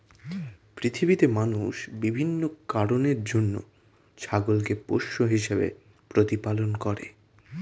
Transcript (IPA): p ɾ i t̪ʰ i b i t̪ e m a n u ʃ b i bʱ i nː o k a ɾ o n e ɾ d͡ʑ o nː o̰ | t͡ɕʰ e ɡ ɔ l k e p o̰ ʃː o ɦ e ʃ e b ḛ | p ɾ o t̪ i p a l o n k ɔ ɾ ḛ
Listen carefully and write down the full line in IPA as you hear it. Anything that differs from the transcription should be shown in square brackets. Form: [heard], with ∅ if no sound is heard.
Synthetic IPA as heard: p ɾ i t̪ʰ i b i t̪ e m a n u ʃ b i bʱ i nː o k a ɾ o n e ɾ d͡ʑ o nː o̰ | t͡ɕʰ [a] ɡ [o] l k e p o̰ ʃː o ɦ [i] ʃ e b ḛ | p ɾ o t̪ i p a l o n k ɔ ɾ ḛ